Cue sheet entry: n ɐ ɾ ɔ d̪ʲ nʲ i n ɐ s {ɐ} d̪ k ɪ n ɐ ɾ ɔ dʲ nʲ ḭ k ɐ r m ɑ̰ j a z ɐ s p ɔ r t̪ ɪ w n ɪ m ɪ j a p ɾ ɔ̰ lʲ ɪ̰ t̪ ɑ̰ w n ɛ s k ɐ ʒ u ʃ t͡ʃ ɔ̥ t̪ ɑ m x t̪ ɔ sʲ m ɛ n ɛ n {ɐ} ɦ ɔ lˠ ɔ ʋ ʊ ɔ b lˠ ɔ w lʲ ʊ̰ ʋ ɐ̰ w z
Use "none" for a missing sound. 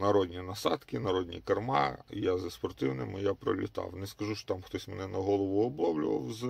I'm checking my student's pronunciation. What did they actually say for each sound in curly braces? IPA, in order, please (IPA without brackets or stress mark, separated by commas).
ɑ, ɐ